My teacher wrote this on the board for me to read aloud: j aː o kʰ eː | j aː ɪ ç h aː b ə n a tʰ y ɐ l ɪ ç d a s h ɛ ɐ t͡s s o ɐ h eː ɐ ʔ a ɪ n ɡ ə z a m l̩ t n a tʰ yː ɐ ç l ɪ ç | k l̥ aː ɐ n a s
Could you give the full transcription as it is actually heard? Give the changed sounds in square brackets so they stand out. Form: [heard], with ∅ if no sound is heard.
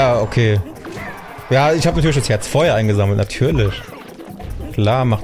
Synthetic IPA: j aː o kʰ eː | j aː ɪ ç h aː b ə n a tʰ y ɐ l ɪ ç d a s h ɛ ɐ t͡s [f] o ɐ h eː ɐ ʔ a ɪ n ɡ ə z a m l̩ t n a tʰ yː ɐ [∅] l ɪ ç | k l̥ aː ɐ [m] a [χ]